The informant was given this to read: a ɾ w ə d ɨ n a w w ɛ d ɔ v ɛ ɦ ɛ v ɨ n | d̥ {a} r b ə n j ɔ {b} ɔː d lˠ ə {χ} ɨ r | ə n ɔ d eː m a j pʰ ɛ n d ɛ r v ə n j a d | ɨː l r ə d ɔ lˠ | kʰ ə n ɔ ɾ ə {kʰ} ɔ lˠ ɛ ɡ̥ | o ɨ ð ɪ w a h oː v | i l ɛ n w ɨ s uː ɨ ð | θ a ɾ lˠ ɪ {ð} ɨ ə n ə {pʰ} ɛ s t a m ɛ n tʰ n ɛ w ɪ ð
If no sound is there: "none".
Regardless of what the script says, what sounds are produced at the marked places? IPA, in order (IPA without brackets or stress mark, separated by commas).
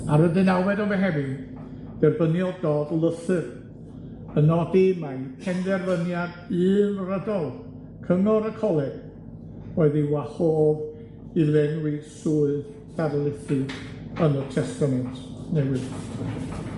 ɛ, d, θ, kʰ, θ, tʰ